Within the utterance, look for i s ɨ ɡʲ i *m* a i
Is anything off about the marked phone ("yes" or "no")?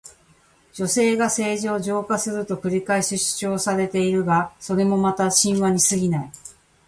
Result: yes